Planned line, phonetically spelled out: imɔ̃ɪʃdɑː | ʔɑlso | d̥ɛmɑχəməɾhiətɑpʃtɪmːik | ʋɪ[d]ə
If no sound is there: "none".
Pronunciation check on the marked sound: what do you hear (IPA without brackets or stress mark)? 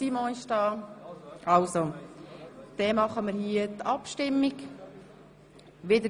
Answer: d